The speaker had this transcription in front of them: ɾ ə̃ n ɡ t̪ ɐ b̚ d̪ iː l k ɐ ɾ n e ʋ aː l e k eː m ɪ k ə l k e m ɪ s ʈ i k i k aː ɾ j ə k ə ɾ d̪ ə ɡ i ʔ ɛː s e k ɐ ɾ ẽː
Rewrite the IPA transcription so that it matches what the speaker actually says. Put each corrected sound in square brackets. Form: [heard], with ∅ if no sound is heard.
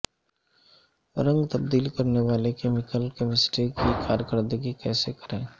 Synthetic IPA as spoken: ɾ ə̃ [ŋ] ɡ t̪ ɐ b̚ d̪ iː l k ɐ ɾ n e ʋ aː l e k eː m ɪ k ə l k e m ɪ s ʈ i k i k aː ɾ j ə k ə ɾ d̪ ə ɡ i [k] ɛː s e k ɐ ɾ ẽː